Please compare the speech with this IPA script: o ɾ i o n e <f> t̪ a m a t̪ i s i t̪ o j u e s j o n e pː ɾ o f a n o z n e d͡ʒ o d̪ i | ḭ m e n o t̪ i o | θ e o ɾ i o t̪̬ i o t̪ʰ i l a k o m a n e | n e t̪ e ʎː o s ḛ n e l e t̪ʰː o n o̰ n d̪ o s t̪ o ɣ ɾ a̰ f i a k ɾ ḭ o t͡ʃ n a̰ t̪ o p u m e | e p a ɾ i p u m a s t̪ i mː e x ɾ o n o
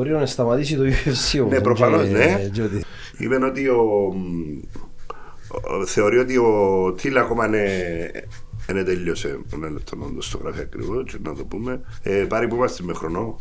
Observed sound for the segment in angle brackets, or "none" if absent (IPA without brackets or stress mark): s